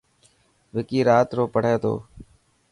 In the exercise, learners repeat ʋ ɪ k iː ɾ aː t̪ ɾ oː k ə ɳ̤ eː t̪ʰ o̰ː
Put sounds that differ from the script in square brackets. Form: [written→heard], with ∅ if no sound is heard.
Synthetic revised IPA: ʋ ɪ k iː ɾ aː t̪ ɾ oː [k→p] ə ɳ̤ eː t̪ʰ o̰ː